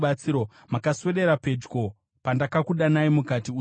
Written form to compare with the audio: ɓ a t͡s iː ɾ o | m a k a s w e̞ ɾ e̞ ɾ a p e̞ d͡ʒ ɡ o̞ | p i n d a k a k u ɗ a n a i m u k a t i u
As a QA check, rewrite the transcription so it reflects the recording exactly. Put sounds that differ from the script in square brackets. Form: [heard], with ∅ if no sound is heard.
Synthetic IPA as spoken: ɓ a t͡s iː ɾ o | m a k a s w e̞ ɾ e̞ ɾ a p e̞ d͡ʒ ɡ o̞ | p [a] n d a k a k u ɗ a n a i m u k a t i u